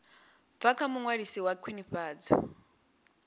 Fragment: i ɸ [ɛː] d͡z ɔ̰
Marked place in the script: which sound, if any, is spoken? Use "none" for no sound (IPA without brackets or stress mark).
aː